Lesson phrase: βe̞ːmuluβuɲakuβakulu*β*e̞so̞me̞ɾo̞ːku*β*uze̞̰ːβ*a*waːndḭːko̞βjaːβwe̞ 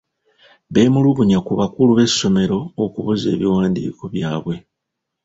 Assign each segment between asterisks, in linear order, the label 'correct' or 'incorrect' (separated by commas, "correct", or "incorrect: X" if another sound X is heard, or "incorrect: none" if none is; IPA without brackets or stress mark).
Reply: correct, correct, incorrect: i